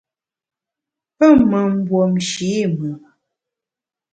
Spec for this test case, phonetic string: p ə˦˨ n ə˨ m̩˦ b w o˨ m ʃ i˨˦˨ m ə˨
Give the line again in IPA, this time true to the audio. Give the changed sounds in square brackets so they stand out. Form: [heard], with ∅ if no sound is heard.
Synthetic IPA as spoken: p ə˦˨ [m] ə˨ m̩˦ b w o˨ m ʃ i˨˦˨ m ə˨

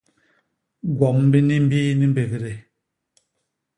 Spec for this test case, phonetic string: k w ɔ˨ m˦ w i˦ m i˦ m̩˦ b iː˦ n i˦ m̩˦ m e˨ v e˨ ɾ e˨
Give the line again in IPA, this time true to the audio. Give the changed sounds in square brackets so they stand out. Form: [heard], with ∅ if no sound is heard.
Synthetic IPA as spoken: [ɡ] w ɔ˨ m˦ [b] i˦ [n] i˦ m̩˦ b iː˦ n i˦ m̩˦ [b] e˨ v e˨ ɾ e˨

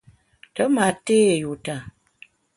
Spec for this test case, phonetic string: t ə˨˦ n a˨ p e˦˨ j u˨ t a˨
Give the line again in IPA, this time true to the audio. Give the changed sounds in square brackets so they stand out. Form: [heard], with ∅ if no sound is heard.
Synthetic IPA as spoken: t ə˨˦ [m] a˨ [t] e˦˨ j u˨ t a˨

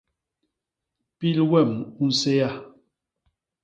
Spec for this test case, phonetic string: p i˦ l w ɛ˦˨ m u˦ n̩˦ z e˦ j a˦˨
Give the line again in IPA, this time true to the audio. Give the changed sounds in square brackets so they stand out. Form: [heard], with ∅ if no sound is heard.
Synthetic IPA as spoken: p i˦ l w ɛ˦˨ m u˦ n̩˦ [s] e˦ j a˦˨

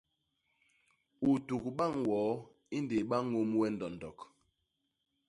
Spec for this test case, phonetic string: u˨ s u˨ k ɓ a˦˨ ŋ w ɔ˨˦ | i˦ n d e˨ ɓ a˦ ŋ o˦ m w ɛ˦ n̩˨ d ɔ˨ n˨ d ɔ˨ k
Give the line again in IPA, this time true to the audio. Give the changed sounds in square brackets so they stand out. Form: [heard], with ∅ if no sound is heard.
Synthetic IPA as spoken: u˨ [t] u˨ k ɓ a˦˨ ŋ w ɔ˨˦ | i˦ n d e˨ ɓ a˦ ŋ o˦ m w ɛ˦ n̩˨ d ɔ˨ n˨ d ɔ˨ k

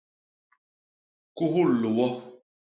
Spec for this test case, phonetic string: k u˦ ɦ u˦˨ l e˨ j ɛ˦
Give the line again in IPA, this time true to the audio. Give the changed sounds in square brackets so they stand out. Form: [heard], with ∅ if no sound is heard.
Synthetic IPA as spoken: k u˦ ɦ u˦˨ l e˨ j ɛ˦

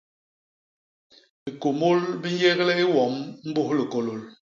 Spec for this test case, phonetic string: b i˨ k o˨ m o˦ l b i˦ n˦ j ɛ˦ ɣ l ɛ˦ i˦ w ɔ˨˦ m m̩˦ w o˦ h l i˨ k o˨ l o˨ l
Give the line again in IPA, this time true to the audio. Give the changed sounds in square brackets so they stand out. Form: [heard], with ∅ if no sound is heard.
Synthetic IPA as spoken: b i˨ k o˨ m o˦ l b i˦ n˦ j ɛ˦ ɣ l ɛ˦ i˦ w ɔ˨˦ m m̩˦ [b] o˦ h l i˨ k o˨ l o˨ l

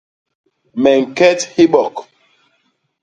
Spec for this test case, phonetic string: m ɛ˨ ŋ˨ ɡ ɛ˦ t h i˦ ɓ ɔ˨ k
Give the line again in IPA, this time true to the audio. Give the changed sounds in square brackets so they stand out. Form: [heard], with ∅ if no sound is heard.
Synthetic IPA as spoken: m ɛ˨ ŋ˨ [k] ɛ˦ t h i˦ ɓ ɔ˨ k

